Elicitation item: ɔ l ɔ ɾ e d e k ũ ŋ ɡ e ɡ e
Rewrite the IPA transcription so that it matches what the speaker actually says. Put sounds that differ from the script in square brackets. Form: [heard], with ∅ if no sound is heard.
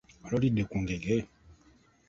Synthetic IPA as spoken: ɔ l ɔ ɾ [i] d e k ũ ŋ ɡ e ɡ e